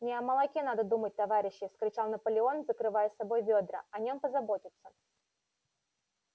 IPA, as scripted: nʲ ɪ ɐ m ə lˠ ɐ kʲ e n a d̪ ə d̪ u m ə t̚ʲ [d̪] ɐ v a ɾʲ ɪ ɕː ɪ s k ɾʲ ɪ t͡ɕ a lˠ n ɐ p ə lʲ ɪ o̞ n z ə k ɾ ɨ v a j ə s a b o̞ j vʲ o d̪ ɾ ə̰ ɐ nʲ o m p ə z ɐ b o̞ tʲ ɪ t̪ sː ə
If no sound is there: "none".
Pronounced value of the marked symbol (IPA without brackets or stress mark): t̪